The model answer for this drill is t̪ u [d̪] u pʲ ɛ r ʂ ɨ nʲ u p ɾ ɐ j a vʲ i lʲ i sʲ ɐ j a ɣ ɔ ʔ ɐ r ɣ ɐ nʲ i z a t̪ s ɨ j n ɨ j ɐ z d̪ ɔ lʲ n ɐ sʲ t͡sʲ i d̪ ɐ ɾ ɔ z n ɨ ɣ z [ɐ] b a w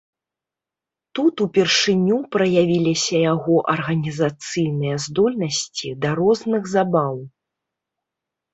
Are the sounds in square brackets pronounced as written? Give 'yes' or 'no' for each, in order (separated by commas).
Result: no, no